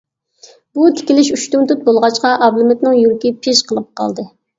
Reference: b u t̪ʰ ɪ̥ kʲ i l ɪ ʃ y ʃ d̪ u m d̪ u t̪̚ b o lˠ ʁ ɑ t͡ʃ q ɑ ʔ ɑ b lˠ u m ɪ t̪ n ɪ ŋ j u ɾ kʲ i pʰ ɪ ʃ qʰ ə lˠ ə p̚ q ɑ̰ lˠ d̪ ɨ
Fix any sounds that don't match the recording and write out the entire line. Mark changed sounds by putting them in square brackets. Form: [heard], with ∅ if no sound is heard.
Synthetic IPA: b u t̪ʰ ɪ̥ kʲ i l ɪ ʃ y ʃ [t̪] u m [t̪] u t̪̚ b o lˠ ʁ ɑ t͡ʃ q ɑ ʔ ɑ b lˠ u m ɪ t̪ n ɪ ŋ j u ɾ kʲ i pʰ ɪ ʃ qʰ ə lˠ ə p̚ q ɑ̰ lˠ d̪ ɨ